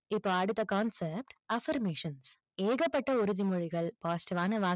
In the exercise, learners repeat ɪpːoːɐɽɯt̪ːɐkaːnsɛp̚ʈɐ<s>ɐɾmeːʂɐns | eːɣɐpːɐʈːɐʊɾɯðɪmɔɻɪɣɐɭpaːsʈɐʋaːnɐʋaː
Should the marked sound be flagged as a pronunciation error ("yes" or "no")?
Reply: yes